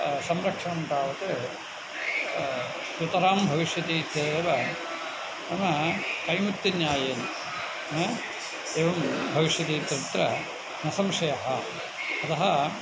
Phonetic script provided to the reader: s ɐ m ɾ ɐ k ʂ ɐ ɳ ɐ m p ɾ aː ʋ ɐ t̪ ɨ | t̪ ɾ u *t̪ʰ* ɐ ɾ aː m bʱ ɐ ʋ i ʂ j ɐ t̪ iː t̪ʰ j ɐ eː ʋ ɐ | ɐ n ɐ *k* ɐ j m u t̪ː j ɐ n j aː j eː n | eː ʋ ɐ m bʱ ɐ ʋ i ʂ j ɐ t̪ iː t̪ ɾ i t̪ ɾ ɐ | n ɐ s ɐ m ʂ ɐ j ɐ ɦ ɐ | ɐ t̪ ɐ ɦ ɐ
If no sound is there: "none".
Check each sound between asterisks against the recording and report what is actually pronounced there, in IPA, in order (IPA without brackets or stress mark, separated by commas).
t̪, k